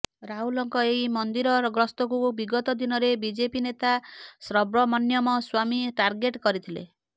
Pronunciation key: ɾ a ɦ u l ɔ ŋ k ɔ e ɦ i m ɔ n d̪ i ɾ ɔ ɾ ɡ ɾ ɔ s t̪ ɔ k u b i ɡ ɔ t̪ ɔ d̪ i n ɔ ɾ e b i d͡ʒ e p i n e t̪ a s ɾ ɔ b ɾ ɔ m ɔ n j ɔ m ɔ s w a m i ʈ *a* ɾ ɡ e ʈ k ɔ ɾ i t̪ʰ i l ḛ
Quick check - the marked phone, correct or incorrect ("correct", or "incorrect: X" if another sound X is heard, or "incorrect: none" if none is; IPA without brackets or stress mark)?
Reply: correct